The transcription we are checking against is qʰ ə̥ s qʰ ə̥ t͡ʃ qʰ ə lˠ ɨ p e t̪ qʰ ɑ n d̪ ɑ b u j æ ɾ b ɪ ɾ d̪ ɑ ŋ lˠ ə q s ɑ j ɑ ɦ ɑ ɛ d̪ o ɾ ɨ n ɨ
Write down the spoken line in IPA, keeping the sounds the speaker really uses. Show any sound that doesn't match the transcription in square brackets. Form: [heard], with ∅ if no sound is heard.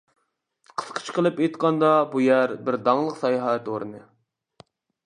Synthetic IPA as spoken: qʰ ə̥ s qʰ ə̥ t͡ʃ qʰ ə lˠ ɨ p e t̪ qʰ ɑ n d̪ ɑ b u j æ ɾ b ɪ ɾ d̪ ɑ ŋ lˠ ə q s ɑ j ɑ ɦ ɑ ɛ [t̪] o ɾ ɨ n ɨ

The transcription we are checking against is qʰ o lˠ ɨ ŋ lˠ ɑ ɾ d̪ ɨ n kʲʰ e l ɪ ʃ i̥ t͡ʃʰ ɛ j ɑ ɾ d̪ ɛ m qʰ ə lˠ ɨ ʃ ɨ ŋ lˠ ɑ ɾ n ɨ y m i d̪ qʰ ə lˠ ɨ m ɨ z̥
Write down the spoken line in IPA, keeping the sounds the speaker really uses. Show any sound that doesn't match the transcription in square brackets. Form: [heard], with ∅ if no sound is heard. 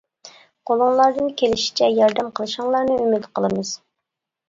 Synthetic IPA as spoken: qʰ o lˠ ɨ ŋ lˠ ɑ ɾ d̪ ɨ n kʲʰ e l ɪ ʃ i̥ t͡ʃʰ ɛ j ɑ ɾ d̪ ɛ m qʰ ə lˠ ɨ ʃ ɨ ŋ lˠ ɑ ɾ n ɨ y m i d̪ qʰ ə lˠ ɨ m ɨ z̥

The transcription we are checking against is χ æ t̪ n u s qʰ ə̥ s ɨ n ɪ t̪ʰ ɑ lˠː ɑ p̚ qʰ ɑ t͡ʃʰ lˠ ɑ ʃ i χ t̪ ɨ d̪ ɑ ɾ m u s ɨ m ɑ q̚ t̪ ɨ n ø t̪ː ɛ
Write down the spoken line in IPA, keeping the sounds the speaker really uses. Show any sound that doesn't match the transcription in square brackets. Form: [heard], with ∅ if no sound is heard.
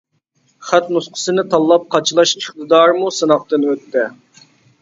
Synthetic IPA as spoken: χ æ t̪ n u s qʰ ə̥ s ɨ n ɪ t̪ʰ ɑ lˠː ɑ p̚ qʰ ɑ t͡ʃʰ lˠ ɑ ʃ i χ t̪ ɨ d̪ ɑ ɾ m u s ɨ [n] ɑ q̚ t̪ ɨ n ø t̪ː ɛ

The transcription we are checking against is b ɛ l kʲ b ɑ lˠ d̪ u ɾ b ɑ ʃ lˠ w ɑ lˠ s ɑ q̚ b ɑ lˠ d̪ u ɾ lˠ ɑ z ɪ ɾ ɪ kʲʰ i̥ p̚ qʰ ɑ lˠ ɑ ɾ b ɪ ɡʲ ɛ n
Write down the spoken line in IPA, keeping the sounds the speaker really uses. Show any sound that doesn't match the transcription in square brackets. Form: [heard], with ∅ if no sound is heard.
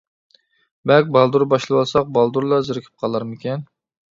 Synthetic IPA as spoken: b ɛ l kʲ b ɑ lˠ d̪ u ɾ b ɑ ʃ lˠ w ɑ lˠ s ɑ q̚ b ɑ lˠ d̪ u ɾ lˠ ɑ z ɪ ɾ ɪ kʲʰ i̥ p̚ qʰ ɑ lˠ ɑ ɾ [m] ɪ [kʲ] ɛ n

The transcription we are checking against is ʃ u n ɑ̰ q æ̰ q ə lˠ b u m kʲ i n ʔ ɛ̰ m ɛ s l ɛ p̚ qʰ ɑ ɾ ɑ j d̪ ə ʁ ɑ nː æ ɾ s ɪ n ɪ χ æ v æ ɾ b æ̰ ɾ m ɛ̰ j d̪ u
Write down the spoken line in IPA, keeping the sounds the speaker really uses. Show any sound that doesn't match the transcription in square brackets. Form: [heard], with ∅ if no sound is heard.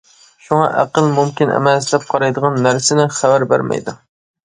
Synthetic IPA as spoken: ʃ u [ŋ] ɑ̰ [ʔ] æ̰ q ə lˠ [m] u m kʲ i n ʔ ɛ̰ m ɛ s l ɛ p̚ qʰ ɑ ɾ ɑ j d̪ ə ʁ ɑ nː æ ɾ s ɪ n ɪ χ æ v æ ɾ b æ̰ ɾ m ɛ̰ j d̪ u

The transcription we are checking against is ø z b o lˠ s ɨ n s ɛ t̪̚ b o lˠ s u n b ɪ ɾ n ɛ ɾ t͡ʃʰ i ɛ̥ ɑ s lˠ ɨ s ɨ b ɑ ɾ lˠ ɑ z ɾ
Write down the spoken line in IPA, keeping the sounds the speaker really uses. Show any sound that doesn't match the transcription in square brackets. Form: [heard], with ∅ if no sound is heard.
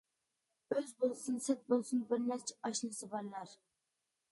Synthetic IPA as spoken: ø z b o lˠ s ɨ n s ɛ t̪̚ b o lˠ s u n b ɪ ɾ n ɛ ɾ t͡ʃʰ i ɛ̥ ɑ [ʃ] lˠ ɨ s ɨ b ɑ ɾ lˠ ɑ [∅] ɾ

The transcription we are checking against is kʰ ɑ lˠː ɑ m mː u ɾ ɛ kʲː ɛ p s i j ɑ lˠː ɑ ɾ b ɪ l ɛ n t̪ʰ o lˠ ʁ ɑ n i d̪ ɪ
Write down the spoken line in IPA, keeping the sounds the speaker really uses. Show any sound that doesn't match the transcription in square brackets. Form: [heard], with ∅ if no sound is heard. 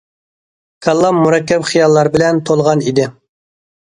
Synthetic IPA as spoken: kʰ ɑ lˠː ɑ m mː u ɾ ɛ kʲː ɛ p [χ] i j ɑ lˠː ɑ ɾ b ɪ l ɛ n t̪ʰ o lˠ ʁ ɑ n i d̪ ɪ

